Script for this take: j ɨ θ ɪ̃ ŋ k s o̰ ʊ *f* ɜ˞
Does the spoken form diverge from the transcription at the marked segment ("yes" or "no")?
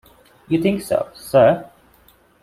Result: yes